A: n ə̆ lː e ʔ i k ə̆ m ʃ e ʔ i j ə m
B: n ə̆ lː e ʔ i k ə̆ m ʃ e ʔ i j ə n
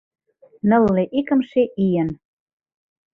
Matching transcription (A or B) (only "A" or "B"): B